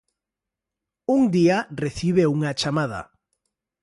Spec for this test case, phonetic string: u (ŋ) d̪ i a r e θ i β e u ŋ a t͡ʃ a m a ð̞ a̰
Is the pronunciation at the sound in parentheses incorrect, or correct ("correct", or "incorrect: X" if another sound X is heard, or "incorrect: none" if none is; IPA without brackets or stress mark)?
correct